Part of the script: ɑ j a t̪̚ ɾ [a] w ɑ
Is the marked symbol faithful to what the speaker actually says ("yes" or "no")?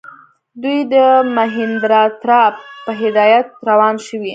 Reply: yes